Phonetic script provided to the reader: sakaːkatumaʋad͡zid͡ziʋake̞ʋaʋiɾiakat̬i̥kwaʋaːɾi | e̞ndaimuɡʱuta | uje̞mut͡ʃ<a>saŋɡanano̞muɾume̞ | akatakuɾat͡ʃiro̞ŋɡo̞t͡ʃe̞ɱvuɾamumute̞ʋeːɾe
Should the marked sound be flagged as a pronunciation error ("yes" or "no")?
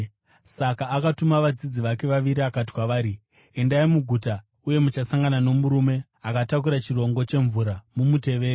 no